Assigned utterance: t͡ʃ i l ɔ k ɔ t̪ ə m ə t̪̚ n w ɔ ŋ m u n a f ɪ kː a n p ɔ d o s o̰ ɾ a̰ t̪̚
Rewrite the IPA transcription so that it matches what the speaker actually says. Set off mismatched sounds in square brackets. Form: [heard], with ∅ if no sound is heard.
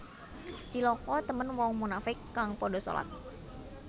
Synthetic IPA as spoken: t͡ʃ i l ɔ k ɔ t̪ ə m ə [∅] n w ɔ ŋ m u n a f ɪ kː a [ŋ] p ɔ d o s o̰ [l] a̰ t̪̚